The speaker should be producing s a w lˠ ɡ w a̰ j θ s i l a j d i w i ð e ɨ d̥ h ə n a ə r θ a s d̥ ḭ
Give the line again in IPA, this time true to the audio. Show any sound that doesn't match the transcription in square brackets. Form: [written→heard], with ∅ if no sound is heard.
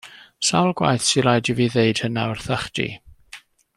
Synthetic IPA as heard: s a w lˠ ɡ w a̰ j θ s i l a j d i [w→v] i ð e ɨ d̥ h ə n a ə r θ a [s→χ] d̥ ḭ

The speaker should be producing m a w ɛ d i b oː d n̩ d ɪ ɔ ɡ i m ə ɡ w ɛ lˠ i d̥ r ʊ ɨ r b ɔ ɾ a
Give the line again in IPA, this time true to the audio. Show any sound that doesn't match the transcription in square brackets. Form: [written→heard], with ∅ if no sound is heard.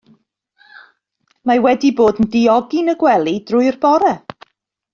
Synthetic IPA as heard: m a w ɛ d i b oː d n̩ d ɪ ɔ ɡ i [m→n] ə ɡ w ɛ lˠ i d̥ r ʊ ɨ r b ɔ ɾ [a→ɛ]

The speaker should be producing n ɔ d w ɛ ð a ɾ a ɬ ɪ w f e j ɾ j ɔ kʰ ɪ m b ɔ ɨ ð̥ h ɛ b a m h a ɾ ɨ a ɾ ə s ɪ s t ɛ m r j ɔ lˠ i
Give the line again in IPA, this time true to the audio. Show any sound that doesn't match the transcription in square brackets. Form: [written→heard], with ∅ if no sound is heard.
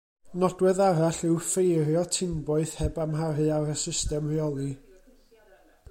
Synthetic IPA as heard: n ɔ d w ɛ ð a ɾ a ɬ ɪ w f e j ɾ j ɔ [kʰ→tʰ] ɪ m b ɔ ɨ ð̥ h ɛ b a m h a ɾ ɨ a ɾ ə s ɪ s t ɛ m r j ɔ lˠ i

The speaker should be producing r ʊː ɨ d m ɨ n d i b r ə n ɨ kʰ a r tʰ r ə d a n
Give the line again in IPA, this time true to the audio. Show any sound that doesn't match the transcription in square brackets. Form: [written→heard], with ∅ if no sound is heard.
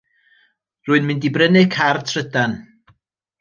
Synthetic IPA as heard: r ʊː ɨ [d→n] m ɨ n d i b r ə n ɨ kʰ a r tʰ r ə d a n

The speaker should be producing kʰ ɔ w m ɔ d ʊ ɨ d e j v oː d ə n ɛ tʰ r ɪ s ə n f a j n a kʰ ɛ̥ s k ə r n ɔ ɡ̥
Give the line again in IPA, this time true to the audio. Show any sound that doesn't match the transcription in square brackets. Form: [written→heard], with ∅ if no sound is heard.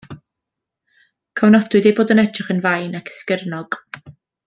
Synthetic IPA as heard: kʰ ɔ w [m→n] ɔ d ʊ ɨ d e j [v→b] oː d ə n ɛ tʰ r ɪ [s→χ] ə n [f→v] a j n a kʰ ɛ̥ s k ə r n ɔ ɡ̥

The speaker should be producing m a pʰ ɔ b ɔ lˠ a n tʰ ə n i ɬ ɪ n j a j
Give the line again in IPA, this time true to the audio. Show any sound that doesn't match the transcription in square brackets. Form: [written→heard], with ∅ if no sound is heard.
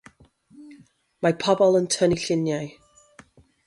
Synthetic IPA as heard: m a pʰ ɔ b ɔ lˠ [a→ə] n tʰ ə n i ɬ ɪ n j a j

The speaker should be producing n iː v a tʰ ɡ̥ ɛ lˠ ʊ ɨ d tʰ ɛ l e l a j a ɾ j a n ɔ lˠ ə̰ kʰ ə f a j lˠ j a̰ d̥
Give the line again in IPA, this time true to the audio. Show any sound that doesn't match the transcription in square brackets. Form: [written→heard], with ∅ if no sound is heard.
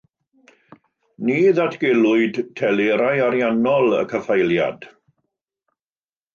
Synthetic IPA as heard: n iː [v→ð] a tʰ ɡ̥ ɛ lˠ ʊ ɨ d tʰ ɛ l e [l→ɾ] a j a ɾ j a n ɔ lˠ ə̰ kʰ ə f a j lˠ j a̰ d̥

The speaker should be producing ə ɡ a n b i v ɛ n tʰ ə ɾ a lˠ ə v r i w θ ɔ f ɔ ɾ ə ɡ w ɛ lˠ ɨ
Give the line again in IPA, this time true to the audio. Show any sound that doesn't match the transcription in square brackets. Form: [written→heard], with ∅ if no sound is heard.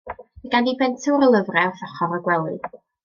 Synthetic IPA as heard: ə ɡ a n [b→d] i [v→b] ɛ n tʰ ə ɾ [a→ə] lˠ ə v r [i→ɛ] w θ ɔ [f→χ] ɔ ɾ ə ɡ w ɛ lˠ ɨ

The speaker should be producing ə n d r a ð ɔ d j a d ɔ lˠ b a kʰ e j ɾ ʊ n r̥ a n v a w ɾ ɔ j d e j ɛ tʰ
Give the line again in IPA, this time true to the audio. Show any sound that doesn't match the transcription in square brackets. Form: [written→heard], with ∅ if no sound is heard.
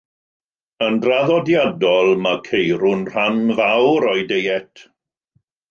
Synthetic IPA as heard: ə n d r a ð ɔ d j a d ɔ lˠ [b→m] a kʰ e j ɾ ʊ n r̥ a n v a w ɾ ɔ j d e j ɛ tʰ

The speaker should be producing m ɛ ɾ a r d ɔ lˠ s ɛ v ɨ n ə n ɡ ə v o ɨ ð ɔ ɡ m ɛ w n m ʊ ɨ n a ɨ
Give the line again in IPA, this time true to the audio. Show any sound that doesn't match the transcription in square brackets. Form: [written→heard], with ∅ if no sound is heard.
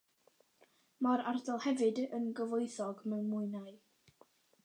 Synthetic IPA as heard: m [ɛ→a] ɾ a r d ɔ lˠ [s→h] ɛ v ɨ [n→d] ə n ɡ ə v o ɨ [ð→θ] ɔ ɡ m ɛ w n m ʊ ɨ n a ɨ

